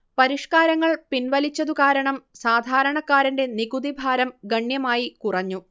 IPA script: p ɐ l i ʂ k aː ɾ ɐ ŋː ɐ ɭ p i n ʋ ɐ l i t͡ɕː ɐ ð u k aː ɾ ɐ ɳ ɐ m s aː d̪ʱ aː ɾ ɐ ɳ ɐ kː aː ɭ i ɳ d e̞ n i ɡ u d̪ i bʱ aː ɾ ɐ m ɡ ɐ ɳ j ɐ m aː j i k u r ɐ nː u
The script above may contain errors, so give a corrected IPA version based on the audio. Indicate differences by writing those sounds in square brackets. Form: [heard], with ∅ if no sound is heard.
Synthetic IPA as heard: p ɐ [ɾ] i ʂ k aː ɾ ɐ ŋː ɐ ɭ p i n ʋ ɐ l i t͡ɕː ɐ ð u k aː ɾ ɐ ɳ ɐ m s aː d̪ʱ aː ɾ ɐ ɳ ɐ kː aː [ɾ] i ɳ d e̞ n i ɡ u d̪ i bʱ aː ɾ ɐ m ɡ ɐ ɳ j ɐ m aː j i k u r ɐ [ɲː] u